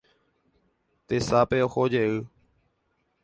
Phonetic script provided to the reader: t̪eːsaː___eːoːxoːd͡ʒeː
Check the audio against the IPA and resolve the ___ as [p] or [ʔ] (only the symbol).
p